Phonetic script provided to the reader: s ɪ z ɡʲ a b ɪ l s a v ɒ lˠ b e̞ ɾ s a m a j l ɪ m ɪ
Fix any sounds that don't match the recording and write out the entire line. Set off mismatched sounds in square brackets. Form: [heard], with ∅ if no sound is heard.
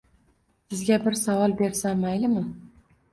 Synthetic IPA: s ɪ z ɡʲ a b ɪ [ɾ] s a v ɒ lˠ b e̞ ɾ s a m a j l ɪ m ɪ

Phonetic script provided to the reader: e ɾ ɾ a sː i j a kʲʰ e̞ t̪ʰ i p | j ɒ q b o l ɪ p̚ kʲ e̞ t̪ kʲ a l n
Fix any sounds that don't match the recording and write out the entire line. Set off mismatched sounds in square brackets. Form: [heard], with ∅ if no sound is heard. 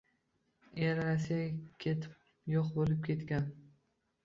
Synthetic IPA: e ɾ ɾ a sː i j a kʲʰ e̞ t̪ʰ [ɪ] p | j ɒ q b o l ɪ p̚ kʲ e̞ t̪ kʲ a [∅] n

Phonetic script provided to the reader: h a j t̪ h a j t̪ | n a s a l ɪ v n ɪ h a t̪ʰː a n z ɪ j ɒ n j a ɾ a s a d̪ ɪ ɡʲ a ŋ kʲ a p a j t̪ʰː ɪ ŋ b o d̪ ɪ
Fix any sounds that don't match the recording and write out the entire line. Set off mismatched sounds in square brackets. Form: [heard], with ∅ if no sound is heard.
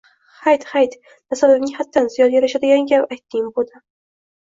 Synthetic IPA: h a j t̪ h a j t̪ | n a s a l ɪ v n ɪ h a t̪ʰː a n z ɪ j ɒ n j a ɾ a [ʃ] a d̪ ɪ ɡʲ a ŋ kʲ a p a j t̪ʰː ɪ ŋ b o d̪ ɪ

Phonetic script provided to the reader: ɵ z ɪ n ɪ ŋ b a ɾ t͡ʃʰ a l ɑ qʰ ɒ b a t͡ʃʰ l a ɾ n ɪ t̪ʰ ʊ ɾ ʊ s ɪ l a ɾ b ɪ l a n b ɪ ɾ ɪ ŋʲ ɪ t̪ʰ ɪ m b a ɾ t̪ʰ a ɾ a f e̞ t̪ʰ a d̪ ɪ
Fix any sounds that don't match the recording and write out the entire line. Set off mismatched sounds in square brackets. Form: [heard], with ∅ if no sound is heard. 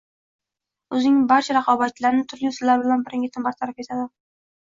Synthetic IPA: ɵ z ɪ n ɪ ŋ b a ɾ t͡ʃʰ a [ɾ] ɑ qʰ ɒ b a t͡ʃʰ l a ɾ n ɪ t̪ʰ ʊ ɾ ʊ s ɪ l a ɾ b ɪ l a n b ɪ ɾ ɪ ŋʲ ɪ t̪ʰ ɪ m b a ɾ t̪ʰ a ɾ a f e̞ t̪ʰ a d̪ ɪ

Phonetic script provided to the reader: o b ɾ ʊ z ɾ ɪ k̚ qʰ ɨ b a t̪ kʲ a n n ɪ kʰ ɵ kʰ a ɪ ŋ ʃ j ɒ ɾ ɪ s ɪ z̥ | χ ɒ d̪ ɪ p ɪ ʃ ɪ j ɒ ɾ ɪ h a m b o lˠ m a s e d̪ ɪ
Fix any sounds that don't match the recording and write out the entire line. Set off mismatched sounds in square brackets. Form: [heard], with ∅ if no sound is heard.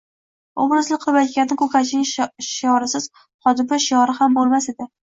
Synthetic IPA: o b ɾ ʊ z [l] ɪ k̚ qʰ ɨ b a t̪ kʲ a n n ɪ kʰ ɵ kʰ a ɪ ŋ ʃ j ɒ ɾ ɪ s ɪ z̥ | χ ɒ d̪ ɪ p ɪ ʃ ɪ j ɒ ɾ ɪ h a m b o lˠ m a s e d̪ ɪ

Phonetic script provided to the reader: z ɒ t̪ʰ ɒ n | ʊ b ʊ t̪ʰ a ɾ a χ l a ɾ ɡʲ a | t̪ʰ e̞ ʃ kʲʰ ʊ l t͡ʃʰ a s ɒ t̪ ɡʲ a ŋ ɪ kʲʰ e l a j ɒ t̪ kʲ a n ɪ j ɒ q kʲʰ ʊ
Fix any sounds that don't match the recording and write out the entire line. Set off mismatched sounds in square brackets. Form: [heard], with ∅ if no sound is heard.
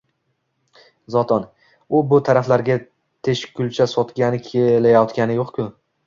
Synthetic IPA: z ɒ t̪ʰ ɒ n | ʊ b ʊ t̪ʰ a ɾ a [f] l a ɾ ɡʲ a | t̪ʰ e̞ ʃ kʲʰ ʊ l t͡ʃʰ a s ɒ t̪ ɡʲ a [n] ɪ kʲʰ e l a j ɒ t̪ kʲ a n ɪ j [o] q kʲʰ ʊ

